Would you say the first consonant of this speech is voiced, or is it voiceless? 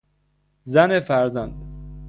voiced